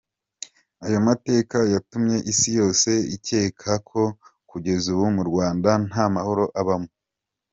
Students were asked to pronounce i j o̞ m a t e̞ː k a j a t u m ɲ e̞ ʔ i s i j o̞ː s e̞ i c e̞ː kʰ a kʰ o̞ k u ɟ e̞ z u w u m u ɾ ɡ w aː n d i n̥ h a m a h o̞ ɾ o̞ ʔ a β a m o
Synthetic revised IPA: a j o̞ m a t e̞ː k a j a t u m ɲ e̞ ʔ i s i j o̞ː s e̞ i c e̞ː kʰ a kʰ o̞ k u ɟ e̞ z u β u m u ɾ ɡ w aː n d a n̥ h a m a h o̞ ɾ o̞ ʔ a β a m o

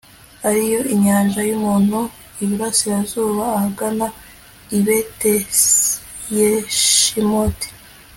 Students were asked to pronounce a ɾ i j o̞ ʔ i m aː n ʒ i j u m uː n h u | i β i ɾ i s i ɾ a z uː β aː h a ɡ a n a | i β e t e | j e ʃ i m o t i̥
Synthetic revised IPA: a ɾ i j o̞ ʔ i ɲ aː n ʒ a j u m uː n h u | i β i ɾ a s i ɾ a z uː β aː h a ɡ a n a | i β e t e | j e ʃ i m o t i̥

